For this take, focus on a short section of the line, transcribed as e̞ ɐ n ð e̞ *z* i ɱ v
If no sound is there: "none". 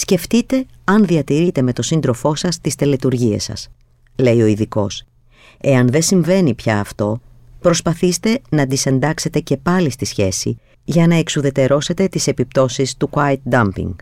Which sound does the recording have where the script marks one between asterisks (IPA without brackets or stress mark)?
s